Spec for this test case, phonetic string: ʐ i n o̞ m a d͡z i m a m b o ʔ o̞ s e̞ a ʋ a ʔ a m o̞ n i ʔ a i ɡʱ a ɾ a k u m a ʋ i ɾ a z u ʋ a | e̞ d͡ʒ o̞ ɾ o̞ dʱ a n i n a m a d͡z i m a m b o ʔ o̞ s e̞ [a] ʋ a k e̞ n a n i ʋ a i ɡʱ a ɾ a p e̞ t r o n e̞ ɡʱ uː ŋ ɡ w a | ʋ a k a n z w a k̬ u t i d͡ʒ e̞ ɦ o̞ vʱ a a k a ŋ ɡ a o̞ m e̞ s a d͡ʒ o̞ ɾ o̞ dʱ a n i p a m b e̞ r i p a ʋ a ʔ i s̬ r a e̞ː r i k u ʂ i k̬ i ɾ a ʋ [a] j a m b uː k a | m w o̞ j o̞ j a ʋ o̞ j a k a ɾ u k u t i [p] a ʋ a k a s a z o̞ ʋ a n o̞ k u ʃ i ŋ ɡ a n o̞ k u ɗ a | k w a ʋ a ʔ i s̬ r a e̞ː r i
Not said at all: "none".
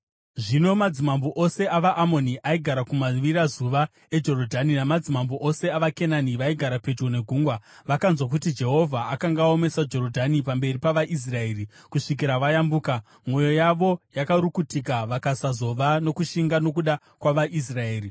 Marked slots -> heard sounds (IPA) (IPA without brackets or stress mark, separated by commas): a, a, k